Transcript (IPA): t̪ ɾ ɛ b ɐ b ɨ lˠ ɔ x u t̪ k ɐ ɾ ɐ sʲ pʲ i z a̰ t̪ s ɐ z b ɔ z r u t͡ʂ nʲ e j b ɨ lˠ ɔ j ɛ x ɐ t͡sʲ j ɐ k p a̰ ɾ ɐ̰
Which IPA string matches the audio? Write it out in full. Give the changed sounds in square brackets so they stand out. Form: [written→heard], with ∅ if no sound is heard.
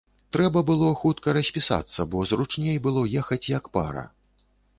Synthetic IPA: t̪ ɾ ɛ b ɐ b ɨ lˠ ɔ x u t̪ k ɐ ɾ ɐ sʲ pʲ i [z→s] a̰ t̪ [s→sː] ɐ [z→∅] b ɔ z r u t͡ʂ nʲ e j b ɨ lˠ ɔ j ɛ x ɐ t͡sʲ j ɐ k p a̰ ɾ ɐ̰